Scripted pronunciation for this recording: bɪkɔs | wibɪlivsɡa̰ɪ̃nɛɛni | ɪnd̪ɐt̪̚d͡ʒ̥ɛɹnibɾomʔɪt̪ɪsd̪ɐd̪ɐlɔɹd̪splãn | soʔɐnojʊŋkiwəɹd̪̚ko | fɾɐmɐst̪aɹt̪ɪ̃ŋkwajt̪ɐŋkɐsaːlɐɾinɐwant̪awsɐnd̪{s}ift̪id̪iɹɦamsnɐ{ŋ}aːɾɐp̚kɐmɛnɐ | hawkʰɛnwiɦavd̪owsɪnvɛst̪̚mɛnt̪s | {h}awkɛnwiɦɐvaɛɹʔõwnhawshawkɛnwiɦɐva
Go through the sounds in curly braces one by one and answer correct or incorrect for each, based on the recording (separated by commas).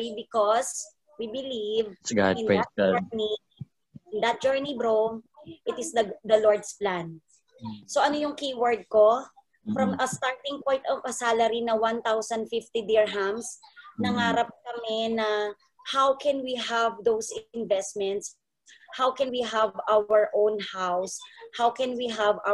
incorrect, correct, correct